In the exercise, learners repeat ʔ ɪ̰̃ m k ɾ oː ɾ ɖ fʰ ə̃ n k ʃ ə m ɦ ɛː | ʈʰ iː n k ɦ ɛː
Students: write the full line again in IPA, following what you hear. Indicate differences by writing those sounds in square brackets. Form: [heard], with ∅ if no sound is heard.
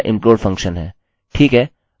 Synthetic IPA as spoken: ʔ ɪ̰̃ m [p] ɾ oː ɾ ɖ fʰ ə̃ [ŋ] k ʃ ə [n] ɦ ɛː | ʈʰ iː [∅] k ɦ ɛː